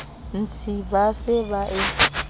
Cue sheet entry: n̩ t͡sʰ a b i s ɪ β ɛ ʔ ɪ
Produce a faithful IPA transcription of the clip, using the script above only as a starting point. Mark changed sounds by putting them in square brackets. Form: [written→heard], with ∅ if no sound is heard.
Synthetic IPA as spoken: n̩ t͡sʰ [a→i] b [i→a] s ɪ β [ɛ→a] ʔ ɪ